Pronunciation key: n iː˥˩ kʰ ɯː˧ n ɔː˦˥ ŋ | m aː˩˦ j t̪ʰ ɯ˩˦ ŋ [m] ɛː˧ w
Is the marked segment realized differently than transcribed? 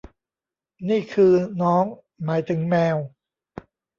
no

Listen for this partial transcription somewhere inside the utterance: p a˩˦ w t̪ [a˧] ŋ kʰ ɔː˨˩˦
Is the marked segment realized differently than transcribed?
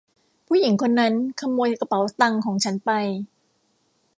no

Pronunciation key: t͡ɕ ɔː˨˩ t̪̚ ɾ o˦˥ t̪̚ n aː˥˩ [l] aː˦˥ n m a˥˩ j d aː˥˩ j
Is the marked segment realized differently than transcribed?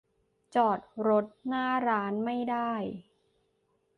yes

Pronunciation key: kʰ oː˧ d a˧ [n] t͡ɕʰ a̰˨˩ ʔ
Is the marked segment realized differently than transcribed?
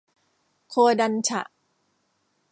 no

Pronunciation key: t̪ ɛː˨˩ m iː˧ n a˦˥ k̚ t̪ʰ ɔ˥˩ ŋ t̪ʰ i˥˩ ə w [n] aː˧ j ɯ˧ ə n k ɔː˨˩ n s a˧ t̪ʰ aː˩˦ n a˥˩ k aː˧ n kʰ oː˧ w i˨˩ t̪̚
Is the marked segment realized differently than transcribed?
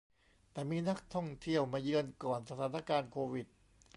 yes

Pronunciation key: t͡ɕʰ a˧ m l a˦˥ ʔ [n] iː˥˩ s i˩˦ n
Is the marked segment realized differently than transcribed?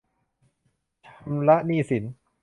no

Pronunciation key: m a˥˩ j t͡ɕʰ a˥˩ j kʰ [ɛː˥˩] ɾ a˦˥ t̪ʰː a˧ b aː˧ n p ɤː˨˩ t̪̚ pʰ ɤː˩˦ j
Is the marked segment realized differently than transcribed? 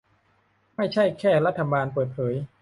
no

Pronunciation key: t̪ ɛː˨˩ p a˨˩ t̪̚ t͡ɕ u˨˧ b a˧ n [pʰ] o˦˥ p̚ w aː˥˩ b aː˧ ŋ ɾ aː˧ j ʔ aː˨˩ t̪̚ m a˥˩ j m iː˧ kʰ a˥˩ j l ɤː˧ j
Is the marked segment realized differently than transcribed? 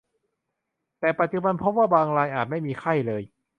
no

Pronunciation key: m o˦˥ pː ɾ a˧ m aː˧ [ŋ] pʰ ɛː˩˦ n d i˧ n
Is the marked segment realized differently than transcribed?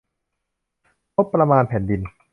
yes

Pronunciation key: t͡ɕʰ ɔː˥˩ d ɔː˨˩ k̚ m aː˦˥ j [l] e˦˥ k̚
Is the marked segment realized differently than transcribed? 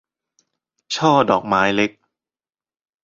no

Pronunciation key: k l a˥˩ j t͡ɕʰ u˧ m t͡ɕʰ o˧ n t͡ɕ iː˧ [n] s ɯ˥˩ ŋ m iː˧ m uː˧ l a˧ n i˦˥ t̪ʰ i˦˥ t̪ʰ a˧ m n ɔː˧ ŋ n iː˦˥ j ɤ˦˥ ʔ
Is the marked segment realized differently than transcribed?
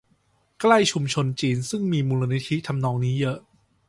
no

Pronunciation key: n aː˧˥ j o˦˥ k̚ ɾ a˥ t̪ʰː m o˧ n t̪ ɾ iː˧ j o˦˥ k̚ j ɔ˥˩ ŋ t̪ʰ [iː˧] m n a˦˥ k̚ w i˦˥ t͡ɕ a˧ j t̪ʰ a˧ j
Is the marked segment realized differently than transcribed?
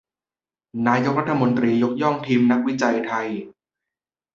no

